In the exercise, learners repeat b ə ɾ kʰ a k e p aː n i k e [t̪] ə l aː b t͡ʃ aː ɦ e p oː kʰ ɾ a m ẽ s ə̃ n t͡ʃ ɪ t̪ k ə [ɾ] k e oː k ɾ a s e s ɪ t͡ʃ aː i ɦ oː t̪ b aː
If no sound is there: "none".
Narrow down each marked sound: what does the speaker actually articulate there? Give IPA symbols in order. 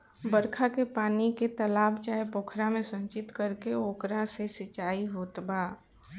t̪, ɾ

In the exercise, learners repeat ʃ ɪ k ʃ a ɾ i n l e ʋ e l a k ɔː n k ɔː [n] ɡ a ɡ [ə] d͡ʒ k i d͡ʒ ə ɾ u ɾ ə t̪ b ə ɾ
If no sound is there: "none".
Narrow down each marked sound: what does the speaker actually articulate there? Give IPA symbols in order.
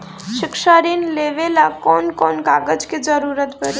n, ə

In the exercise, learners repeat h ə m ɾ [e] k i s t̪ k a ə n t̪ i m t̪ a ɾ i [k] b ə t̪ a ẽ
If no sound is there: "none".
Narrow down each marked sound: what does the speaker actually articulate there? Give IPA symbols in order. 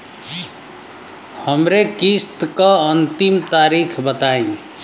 e, kʰ

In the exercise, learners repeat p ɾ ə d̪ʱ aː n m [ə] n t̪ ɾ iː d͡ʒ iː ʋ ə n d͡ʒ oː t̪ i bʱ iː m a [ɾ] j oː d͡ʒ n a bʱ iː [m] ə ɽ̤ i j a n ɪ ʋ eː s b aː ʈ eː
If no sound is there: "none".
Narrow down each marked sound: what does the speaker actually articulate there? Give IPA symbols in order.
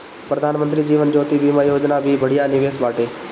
ə, none, b

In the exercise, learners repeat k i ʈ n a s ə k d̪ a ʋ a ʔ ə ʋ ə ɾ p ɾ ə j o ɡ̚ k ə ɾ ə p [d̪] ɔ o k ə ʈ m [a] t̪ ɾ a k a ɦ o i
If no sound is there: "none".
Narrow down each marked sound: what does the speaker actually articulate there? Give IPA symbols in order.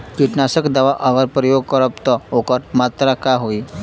t̪, a

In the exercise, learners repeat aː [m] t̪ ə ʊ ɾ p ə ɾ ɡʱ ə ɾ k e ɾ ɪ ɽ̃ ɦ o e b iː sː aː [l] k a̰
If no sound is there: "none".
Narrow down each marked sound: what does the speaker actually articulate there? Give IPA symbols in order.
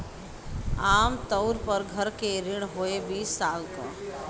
m, l

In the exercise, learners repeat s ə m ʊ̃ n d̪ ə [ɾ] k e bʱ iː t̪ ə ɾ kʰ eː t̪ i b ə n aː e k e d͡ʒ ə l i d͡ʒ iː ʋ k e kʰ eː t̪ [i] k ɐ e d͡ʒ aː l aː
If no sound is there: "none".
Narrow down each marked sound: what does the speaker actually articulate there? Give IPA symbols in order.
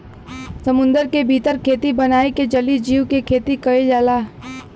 ɾ, i

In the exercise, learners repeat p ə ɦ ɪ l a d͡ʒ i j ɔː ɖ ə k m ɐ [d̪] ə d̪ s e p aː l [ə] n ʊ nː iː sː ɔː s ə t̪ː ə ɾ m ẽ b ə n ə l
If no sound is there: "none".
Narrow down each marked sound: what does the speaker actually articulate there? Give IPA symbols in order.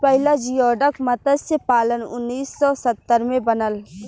t̪, ə

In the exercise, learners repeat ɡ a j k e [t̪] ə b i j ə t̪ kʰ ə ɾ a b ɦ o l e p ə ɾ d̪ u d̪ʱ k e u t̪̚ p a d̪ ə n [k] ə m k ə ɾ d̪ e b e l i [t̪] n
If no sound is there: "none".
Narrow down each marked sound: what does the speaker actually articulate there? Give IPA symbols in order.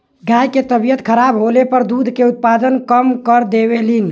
t̪, k, none

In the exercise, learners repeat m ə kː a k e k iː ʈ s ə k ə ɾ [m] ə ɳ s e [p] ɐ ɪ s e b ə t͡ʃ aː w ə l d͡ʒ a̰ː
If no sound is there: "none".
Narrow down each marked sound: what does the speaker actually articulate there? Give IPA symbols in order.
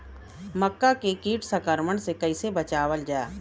m, k

